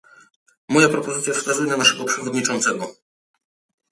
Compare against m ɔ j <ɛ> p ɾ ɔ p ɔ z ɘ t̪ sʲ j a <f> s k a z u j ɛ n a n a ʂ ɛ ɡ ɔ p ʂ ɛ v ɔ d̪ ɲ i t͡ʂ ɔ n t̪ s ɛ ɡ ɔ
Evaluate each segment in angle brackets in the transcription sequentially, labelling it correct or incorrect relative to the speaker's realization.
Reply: incorrect, correct

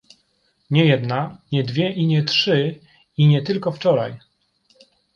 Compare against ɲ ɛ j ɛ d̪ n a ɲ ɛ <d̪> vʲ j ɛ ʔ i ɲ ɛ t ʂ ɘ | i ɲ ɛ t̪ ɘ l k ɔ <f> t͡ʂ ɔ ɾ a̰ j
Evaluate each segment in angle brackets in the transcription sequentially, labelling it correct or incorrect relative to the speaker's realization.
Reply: correct, correct

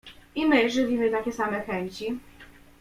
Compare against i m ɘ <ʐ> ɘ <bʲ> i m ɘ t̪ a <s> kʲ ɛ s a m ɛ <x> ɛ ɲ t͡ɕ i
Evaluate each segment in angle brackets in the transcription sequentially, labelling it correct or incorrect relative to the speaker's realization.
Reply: correct, incorrect, incorrect, correct

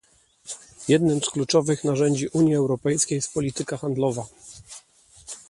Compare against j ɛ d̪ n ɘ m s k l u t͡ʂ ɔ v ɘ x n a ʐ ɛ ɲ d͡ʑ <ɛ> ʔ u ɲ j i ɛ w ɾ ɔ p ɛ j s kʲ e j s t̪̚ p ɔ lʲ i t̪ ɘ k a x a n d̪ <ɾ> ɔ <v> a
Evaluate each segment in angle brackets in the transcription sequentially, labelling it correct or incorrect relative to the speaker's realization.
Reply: incorrect, incorrect, correct

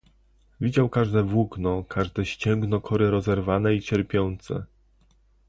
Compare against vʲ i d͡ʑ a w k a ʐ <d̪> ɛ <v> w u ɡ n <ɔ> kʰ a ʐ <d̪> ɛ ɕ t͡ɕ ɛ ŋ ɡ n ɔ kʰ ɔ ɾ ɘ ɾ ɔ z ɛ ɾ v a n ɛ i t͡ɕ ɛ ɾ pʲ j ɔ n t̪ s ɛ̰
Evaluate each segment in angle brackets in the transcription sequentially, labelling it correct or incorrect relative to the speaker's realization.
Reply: correct, correct, correct, correct

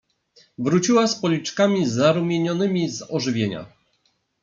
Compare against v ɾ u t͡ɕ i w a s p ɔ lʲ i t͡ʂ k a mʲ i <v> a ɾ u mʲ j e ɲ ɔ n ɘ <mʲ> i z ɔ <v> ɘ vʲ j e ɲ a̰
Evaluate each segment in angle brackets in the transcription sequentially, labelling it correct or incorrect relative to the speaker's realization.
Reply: incorrect, correct, incorrect

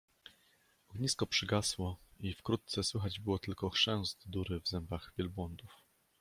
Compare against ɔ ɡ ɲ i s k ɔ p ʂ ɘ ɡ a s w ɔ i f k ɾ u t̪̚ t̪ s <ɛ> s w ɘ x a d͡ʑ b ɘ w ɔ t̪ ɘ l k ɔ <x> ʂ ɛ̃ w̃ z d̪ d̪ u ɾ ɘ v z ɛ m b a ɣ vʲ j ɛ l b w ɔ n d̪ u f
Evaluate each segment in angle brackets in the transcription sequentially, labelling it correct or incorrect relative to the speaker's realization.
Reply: correct, correct

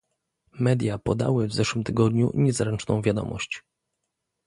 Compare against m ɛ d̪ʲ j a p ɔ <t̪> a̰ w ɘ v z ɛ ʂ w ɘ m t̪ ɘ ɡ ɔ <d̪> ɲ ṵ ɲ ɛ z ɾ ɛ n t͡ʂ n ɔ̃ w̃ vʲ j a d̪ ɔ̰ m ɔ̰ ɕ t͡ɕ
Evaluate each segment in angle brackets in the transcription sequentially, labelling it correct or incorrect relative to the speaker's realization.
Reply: incorrect, correct

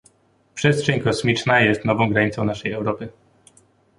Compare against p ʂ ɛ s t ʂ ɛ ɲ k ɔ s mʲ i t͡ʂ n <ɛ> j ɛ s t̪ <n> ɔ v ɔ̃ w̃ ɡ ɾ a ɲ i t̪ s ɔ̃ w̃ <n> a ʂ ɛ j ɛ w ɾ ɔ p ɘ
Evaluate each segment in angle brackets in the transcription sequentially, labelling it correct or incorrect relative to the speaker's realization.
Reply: incorrect, correct, correct

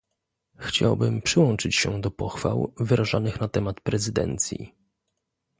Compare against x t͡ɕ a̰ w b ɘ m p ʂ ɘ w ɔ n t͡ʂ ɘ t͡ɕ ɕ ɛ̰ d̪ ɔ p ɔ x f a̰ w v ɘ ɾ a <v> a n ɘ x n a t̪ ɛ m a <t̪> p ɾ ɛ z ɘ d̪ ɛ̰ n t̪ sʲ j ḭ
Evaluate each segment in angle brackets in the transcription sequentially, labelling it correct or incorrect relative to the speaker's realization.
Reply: incorrect, correct

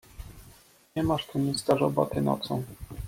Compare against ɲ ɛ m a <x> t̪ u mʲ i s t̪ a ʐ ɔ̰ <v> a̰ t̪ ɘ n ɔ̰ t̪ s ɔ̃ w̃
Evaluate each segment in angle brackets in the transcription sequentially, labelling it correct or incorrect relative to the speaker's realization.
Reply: incorrect, incorrect

